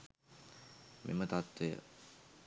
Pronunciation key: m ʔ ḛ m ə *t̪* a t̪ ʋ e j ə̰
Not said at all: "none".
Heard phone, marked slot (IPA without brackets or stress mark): t̪